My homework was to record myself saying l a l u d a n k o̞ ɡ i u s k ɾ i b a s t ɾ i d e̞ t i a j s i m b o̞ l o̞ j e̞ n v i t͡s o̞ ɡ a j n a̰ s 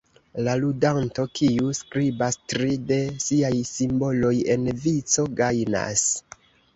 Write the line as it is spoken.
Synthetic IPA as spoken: l a l u d a n t o̞ k i u s k ɾ i b a s t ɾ i d e̞ s i a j s i m b o̞ l o̞ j e̞ n v i t͡s o̞ ɡ a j n a̰ s

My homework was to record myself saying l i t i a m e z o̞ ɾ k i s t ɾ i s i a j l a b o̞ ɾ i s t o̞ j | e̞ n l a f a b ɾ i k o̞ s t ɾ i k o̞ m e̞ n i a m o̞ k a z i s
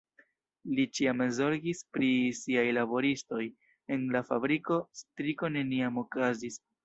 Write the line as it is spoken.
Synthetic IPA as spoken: l i t͡ʃ i a m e z o̞ ɾ ɡ i s p ɾ i s i a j l a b o̞ ɾ i s t o̞ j | e̞ n l a f a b ɾ i k o̞ s t ɾ i k o̞ n e̞ n i a m o̞ k a z i s

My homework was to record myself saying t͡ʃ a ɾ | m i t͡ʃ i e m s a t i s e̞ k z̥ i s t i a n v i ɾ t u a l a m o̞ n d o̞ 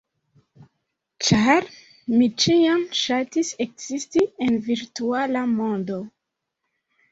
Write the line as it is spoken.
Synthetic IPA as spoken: t͡ʃ a ɾ | m i t͡ʃ i a m ʃ a t i s e̞ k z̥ i s t i e n v i ɾ t u a l a m o̞ n d o̞

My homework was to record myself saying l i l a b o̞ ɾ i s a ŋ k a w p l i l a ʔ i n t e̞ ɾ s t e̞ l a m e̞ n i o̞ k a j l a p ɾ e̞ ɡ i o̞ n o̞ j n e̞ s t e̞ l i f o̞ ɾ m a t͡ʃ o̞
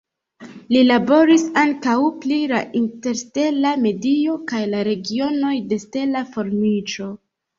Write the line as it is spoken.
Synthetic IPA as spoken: l i l a b o̞ ɾ i s a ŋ k a w p l i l a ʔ i n t e̞ ɾ s t e̞ l a m e̞ d i o̞ k a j l a ɾ e̞ ɡ i o̞ n o̞ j d e̞ s t e̞ l a f o̞ ɾ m i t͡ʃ o̞

